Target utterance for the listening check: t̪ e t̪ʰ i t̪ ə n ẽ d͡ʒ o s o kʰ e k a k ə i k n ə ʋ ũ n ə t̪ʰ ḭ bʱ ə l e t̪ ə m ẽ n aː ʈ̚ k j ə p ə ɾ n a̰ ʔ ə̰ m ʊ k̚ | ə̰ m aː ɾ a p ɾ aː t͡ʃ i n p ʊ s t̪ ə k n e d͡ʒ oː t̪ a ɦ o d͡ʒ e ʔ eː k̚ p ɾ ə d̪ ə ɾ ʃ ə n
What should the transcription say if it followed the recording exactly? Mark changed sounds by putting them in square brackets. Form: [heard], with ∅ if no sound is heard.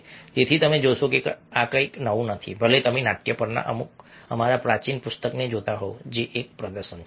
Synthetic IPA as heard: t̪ e t̪ʰ i t̪ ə [m] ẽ d͡ʒ o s o [k] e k a k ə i k n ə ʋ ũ n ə t̪ʰ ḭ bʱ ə l e t̪ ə m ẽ n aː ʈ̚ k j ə p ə ɾ n a̰ ʔ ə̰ m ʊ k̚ | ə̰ m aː ɾ a p ɾ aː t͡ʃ i n p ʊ s t̪ ə k n e d͡ʒ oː t̪ a ɦ o d͡ʒ e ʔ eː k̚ p ɾ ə d̪ ə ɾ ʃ ə n